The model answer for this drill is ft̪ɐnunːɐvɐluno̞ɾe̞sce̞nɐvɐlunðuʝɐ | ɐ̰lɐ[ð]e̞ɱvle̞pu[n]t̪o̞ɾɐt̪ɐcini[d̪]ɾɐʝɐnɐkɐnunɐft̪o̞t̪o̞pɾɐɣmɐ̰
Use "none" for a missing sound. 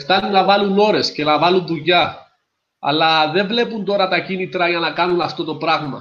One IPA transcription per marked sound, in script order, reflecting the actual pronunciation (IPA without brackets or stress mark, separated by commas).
ð, n, t̪